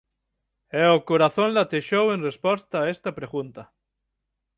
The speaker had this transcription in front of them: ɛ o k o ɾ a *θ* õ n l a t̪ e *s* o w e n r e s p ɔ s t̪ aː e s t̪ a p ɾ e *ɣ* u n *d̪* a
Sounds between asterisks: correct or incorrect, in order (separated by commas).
correct, incorrect, correct, incorrect